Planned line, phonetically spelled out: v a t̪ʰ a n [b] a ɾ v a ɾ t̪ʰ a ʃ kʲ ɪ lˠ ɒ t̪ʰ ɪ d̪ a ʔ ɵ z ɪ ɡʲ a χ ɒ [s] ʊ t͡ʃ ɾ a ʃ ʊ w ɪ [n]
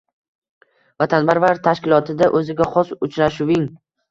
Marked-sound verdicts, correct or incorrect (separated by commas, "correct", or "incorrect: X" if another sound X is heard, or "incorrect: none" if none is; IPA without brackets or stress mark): correct, correct, incorrect: ŋ